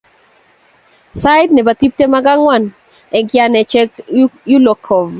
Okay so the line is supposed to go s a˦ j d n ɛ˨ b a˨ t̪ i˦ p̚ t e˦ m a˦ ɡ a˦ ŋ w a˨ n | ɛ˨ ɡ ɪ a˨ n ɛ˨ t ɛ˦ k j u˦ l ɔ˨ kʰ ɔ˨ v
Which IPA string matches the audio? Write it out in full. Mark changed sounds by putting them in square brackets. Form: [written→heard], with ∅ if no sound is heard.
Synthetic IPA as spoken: s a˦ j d n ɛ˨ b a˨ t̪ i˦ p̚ t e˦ m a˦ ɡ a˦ ŋ w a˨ n | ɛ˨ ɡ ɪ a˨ n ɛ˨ [t→t͡ʃ] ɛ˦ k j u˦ l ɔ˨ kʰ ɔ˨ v

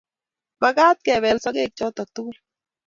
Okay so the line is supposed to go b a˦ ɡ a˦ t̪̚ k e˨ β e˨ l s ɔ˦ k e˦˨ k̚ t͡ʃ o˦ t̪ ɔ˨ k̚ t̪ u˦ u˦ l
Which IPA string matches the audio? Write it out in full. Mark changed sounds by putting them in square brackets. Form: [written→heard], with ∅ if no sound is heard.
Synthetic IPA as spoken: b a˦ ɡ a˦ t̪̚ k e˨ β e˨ l s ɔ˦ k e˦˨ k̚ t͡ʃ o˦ t̪ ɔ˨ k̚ t̪ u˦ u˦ l

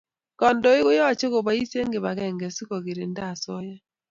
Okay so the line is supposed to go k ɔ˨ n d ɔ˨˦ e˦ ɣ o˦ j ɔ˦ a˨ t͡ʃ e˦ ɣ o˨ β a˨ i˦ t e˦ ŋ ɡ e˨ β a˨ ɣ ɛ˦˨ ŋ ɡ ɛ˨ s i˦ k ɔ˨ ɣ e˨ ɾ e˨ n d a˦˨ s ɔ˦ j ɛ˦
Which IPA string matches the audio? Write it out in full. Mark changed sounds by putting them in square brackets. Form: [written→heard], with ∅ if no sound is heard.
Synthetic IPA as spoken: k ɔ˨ n d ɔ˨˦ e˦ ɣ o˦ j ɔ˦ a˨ t͡ʃ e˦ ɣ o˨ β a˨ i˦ [t→s] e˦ ŋ ɡ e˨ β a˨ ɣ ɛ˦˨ ŋ ɡ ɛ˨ s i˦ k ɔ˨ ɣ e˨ ɾ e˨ n d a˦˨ s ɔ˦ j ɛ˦

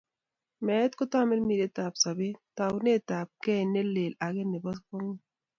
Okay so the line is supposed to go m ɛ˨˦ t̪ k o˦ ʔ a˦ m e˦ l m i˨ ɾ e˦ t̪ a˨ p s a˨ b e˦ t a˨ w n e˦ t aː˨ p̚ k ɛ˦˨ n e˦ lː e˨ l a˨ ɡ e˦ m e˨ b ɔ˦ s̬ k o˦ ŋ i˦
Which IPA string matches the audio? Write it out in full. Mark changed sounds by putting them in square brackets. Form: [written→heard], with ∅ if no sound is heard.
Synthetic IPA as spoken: m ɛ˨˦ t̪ k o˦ [ʔ→t] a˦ m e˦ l m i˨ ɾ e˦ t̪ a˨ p s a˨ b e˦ t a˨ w n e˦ t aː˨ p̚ k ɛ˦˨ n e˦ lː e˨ l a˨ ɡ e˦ [m→n] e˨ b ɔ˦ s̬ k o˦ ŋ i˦

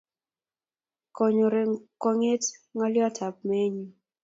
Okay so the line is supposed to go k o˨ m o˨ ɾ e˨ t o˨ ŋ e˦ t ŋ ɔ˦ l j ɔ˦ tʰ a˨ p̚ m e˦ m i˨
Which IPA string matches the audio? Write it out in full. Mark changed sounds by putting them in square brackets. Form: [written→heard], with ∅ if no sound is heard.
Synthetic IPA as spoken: k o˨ [m→ɲ] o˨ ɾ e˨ [t→k] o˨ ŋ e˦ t ŋ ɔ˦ l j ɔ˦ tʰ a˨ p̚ m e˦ [m→ɲ] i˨

